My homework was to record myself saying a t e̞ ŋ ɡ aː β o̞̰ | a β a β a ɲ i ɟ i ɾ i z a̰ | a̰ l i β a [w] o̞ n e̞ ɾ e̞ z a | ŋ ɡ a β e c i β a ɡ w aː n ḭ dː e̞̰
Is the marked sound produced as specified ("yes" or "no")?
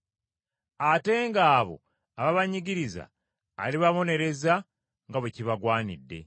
no